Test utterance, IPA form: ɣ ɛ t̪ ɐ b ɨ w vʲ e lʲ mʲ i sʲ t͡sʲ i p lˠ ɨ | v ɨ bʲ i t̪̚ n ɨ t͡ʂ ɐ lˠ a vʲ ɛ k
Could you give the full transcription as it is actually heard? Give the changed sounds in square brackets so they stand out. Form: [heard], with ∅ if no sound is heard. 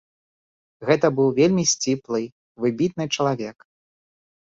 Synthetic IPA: ɣ ɛ t̪ ɐ b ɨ w vʲ e lʲ mʲ i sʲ t͡sʲ i p lˠ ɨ | v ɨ bʲ i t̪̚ n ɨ t͡ʂ ɐ lˠ a vʲ ɛ k

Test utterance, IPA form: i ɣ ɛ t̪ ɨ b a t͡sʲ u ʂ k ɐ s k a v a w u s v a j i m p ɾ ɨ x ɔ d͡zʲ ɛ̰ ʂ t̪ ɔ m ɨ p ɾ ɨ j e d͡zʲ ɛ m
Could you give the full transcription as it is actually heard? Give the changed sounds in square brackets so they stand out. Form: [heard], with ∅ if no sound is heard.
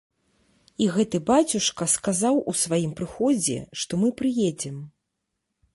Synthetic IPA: i ɣ ɛ t̪ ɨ b a t͡sʲ u ʂ k ɐ s k a [z] a w u s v a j i m p ɾ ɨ x ɔ d͡zʲ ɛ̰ ʂ t̪ ɔ m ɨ p ɾ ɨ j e d͡zʲ ɛ m

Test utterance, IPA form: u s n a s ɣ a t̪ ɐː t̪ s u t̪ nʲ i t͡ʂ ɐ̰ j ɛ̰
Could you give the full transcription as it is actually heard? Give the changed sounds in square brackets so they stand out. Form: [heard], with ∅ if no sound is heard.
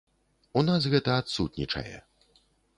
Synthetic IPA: u [∅] n a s ɣ [ɛ] t̪ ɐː t̪ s u t̪ nʲ i t͡ʂ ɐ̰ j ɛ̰

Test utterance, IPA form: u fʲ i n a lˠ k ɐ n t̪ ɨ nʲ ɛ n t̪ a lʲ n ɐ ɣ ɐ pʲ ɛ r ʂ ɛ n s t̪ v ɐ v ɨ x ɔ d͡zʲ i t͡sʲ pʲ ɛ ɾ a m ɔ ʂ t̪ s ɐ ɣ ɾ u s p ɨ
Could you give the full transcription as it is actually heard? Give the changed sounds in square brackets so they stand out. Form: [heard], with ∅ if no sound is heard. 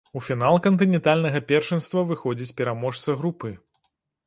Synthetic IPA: u fʲ i n a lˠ k ɐ n t̪ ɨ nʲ ɛ n t̪ a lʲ n ɐ ɣ ɐ pʲ ɛ r ʂ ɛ n s t̪ v ɐ v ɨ x ɔ d͡zʲ i t͡sʲ pʲ ɛ ɾ a m ɔ ʂ t̪ s ɐ ɣ ɾ u [∅] p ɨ

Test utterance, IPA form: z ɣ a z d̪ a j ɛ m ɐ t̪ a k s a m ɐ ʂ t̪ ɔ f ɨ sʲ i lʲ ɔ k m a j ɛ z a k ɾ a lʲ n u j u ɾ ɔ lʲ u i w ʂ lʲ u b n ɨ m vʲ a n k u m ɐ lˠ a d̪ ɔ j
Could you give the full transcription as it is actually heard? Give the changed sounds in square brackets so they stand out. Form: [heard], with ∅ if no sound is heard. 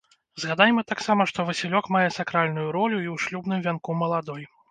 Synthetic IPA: z ɣ a [∅] d̪ a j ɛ m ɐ t̪ a k s a m ɐ ʂ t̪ ɔ [v] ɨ sʲ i lʲ ɔ k m a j ɛ [s] a k ɾ a lʲ n u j u ɾ ɔ lʲ u i w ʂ lʲ u b n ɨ m vʲ a n k u m ɐ lˠ a d̪ ɔ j

